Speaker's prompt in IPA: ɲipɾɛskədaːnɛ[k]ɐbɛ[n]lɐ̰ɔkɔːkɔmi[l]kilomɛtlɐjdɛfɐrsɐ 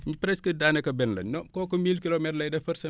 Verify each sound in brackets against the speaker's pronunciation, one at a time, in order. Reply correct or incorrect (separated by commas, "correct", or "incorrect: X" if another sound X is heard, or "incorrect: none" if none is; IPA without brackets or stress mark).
correct, correct, correct